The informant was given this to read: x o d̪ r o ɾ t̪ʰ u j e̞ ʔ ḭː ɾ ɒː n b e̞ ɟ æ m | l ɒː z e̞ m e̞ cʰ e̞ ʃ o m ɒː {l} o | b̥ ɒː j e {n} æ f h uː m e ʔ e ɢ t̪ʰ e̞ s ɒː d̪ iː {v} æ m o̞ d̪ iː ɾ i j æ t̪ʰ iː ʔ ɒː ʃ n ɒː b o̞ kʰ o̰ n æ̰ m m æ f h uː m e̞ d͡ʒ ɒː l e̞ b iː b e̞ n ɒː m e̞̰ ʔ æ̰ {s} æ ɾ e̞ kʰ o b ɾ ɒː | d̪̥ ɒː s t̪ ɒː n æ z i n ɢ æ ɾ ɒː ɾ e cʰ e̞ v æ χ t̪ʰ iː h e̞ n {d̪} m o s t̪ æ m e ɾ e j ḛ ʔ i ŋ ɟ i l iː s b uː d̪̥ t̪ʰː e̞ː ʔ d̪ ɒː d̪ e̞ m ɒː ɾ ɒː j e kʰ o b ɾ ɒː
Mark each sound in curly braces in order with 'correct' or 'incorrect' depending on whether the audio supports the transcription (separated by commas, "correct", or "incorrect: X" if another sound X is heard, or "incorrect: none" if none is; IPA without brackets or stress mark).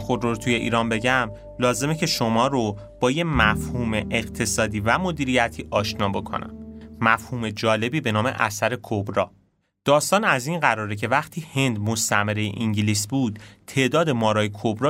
incorrect: ɾ, incorrect: m, correct, correct, correct